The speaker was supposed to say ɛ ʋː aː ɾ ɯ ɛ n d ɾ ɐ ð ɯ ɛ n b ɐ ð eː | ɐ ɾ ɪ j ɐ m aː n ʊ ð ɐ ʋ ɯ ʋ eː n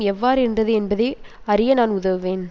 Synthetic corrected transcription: ɛ ʋː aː ɾ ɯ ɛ n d r ɐ ð ɯ ɛ n b ɐ ð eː | ɐ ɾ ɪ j ɐ n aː n ʊ ð ɐ ʋ ɯ ʋ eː n